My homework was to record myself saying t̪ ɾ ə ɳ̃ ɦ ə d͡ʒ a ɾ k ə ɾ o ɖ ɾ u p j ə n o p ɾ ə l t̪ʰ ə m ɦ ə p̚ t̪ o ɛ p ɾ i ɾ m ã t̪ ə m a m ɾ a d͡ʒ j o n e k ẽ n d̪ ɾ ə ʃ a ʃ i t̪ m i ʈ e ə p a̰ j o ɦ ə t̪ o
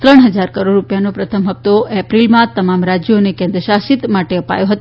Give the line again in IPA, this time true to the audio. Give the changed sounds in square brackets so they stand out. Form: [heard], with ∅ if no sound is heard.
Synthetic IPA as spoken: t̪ ɾ ə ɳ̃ ɦ ə d͡ʒ a ɾ k ə ɾ o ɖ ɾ u p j [a] n o p ɾ ə [∅] t̪ʰ ə m ɦ ə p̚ t̪ o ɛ p ɾ i [l] m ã t̪ ə m a m ɾ a d͡ʒ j o n e k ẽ n d̪ ɾ ə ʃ a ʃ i t̪ m [a] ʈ e ə p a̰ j o ɦ ə t̪ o